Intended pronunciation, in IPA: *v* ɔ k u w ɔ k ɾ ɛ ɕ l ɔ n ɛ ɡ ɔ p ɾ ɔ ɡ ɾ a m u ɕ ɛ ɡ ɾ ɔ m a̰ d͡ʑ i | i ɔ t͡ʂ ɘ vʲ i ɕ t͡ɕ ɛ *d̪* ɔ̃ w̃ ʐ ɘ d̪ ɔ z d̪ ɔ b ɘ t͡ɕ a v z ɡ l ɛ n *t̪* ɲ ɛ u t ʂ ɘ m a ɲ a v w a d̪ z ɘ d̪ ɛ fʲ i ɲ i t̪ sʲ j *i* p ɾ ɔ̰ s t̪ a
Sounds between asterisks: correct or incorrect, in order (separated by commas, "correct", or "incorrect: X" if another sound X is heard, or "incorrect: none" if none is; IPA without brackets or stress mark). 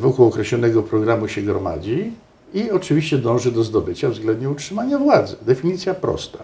correct, correct, incorrect: d̪, incorrect: a